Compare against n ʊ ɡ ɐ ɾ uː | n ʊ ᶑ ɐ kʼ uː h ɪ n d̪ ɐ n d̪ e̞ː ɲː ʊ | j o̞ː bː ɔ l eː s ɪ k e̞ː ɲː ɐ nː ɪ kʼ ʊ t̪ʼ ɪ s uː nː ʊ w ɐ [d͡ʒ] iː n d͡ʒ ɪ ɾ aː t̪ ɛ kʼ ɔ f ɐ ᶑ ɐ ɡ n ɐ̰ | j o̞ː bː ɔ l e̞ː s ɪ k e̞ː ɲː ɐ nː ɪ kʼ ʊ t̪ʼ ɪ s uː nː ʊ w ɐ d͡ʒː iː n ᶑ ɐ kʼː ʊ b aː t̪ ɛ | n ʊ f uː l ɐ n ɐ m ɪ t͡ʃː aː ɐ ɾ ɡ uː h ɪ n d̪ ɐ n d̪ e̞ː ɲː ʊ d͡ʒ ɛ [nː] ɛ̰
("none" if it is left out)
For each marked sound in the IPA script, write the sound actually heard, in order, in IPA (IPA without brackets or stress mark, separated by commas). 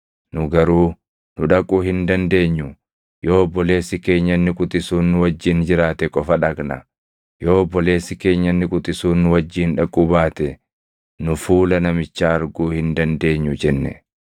d͡ʒː, nː